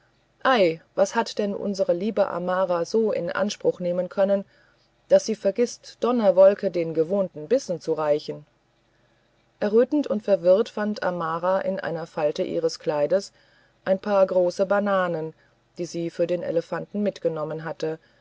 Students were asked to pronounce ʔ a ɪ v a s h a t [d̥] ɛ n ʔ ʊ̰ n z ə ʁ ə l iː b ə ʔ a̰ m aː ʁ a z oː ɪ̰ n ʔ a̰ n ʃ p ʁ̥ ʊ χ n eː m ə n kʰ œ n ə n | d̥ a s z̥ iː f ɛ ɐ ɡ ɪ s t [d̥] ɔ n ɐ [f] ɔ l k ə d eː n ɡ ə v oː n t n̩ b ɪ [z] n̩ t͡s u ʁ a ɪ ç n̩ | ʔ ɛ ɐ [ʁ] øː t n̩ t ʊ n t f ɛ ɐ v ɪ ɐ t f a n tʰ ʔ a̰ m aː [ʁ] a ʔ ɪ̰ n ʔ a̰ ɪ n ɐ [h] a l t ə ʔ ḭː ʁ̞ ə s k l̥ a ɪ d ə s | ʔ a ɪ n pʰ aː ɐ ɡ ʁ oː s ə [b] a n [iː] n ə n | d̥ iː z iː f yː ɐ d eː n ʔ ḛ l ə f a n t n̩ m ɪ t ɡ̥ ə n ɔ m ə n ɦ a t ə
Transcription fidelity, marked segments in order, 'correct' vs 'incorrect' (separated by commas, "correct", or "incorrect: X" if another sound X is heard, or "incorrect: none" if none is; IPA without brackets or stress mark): correct, correct, incorrect: v, incorrect: s, correct, correct, incorrect: f, correct, incorrect: aː